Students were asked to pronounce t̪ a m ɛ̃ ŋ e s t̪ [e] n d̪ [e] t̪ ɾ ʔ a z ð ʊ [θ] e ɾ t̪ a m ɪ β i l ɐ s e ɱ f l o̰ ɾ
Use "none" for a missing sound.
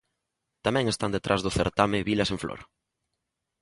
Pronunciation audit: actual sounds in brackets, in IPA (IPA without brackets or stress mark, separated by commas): a, e, θ